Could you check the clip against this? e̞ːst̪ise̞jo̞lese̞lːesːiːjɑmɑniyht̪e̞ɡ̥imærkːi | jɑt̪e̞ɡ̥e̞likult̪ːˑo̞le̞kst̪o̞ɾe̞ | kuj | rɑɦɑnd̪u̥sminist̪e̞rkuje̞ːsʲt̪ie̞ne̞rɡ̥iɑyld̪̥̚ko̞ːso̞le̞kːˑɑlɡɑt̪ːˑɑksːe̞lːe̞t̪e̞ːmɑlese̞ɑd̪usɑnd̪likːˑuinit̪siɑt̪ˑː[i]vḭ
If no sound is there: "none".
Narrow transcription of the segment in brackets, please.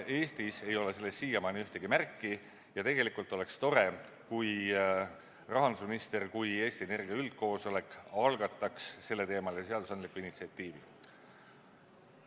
iː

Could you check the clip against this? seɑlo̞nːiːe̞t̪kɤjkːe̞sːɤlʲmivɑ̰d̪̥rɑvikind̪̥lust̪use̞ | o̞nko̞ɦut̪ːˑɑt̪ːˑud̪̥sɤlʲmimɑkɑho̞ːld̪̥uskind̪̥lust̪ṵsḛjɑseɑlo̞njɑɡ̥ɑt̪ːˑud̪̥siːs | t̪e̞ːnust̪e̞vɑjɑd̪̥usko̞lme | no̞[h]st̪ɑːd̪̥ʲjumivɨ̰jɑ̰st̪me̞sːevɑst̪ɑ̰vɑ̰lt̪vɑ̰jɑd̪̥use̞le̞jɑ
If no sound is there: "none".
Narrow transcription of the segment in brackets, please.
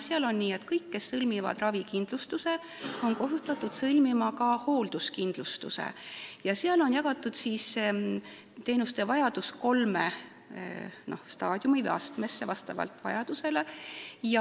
h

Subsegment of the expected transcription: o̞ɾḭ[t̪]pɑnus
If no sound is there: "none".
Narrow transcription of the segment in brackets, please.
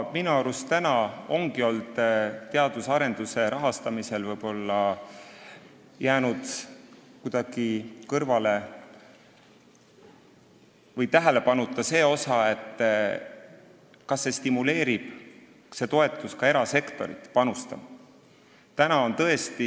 t̪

